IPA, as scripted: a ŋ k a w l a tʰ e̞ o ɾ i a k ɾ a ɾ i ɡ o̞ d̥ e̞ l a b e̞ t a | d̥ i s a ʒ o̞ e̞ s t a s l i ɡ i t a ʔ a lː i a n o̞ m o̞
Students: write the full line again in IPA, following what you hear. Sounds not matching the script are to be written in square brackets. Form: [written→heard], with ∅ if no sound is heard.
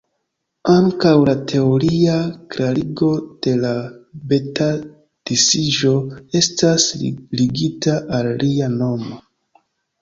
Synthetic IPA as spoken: a ŋ k a w l a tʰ e̞ o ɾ i a k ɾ a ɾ i ɡ o̞ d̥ e̞ l a b e̞ t a | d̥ i s [a→i] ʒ o̞ e̞ s t a s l i ɡ i t a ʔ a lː i a n o̞ m o̞